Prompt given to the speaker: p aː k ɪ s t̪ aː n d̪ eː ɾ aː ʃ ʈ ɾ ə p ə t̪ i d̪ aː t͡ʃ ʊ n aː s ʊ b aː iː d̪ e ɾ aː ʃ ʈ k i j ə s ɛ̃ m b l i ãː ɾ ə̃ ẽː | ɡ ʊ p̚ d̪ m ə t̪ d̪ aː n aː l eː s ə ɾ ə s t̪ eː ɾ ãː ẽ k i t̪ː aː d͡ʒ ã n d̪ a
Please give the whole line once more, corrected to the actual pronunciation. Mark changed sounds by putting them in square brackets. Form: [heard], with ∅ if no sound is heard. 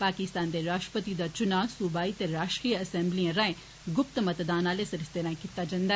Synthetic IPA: p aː k ɪ s t̪ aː n d̪ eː ɾ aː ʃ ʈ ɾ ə p ə t̪ i d̪ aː t͡ʃ ʊ n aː s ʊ b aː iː [t̪] e ɾ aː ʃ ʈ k i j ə s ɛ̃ m b l i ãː ɾ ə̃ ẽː | ɡ ʊ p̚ [t̪] m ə t̪ d̪ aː n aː l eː s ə ɾ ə s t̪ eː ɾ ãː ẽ k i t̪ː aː d͡ʒ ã n d̪ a